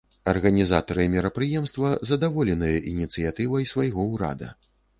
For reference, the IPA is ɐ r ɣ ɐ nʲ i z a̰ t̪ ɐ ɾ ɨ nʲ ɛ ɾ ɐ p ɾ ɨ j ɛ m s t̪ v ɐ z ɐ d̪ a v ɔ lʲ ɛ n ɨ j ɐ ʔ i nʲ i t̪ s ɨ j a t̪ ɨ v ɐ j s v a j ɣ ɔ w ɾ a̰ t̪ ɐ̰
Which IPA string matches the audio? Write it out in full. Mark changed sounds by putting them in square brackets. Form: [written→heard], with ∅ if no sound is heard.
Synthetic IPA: ɐ r ɣ ɐ nʲ i z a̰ t̪ ɐ ɾ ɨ [nʲ→mʲ] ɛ ɾ ɐ p ɾ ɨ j ɛ m s t̪ v ɐ z ɐ d̪ a v ɔ lʲ ɛ n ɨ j ɐ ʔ i nʲ i t̪ s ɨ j a t̪ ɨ v ɐ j s v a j ɣ ɔ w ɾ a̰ [t̪→d̪] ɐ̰